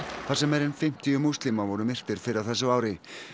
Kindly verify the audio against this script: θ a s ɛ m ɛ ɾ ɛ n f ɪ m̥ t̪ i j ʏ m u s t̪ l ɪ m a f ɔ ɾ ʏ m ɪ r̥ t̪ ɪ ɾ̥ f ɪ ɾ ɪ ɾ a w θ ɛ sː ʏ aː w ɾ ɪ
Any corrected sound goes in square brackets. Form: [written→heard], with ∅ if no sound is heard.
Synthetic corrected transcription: θ a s ɛ m ɛ ɾ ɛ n f ɪ m̥ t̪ i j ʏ m u s t̪ l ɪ m a [f→v] ɔ ɾ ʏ m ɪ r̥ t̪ ɪ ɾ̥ f ɪ ɾ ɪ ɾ a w θ ɛ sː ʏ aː w ɾ ɪ